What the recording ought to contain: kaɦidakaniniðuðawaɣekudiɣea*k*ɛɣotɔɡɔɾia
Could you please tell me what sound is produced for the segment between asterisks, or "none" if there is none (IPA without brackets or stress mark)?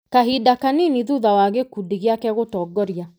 k